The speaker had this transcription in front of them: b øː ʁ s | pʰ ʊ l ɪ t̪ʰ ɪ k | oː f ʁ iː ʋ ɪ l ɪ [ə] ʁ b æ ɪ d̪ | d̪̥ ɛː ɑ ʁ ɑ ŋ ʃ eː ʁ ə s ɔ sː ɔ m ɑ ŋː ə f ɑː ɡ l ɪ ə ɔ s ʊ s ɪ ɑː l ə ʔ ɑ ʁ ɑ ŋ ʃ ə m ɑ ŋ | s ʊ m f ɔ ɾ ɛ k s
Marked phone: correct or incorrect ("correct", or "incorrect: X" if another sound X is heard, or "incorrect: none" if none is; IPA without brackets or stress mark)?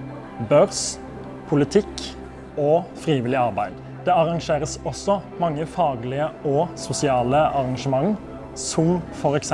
incorrect: ɑ